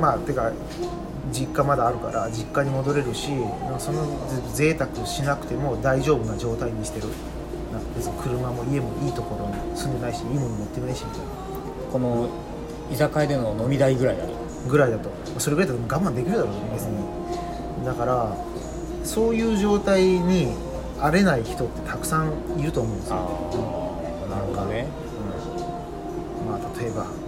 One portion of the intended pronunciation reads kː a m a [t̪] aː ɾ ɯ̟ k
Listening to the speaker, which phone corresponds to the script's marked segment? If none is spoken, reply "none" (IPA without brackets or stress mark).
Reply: d̪